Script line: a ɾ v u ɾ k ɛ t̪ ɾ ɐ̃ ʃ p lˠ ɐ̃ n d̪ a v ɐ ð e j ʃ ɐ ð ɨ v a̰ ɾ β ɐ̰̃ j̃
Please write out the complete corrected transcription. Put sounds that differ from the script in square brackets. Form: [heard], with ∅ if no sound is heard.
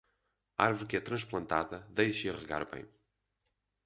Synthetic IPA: a ɾ v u ɾ k ɛ t̪ ɾ ɐ̃ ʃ p lˠ ɐ̃ n [t̪] a [ð] ɐ ð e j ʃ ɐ [ʁ] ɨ [ɣ] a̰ ɾ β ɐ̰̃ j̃